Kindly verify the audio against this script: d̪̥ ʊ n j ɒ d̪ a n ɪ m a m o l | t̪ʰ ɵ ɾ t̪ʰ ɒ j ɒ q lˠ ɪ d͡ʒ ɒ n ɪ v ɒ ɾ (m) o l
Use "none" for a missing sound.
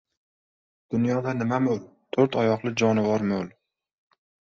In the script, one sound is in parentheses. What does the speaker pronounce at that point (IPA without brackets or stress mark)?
m